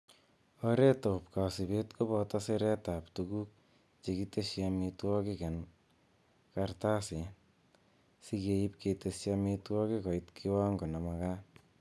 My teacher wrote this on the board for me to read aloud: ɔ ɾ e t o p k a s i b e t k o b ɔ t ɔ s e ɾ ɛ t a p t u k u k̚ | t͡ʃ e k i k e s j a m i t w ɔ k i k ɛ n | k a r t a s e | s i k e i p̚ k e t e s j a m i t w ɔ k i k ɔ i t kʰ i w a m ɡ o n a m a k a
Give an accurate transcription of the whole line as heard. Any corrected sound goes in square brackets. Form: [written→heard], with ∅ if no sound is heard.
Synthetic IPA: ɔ ɾ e t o p k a s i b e t k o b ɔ t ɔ s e ɾ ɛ t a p t u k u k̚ | t͡ʃ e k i [k→t] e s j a m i t w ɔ k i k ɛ n | k a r t a s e | s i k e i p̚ k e t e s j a m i t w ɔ k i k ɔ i t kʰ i w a [m→ŋ] ɡ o n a m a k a